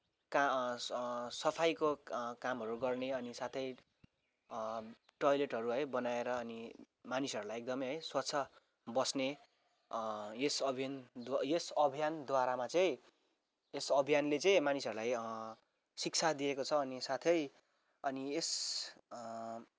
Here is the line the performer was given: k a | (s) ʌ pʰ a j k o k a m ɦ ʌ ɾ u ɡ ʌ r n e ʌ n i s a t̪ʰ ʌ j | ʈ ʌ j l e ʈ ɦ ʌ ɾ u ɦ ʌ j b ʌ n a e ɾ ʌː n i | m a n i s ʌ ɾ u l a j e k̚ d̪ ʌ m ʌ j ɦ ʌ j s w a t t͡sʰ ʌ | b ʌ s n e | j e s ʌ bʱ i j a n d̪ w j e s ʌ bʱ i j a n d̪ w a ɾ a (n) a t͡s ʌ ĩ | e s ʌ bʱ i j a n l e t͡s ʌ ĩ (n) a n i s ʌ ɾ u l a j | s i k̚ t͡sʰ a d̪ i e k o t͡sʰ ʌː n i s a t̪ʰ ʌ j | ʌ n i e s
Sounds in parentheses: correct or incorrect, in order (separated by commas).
correct, incorrect, incorrect